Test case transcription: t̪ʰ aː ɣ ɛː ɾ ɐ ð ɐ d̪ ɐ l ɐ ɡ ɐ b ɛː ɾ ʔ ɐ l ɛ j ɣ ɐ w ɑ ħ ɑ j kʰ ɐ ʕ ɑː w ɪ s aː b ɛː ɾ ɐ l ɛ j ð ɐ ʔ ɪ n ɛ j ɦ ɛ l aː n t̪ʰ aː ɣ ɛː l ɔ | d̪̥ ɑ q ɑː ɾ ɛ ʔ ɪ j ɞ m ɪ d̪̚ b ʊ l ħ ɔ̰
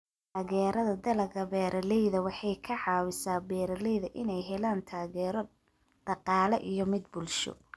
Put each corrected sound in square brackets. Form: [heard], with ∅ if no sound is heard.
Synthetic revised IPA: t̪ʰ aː ɣ ɛː ɾ ɐ ð ɐ d̪ ɐ l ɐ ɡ ɐ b ɛː ɾ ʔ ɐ l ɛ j [ð] ɐ w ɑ ħ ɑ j kʰ ɐ ʕ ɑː w ɪ s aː b ɛː ɾ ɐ l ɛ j ð ɐ ʔ ɪ n ɛ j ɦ ɛ l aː n t̪ʰ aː ɣ ɛː [ɾ] ɔ | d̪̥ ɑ q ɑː [l] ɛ ʔ [i] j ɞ m ɪ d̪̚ b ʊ l [ʃ] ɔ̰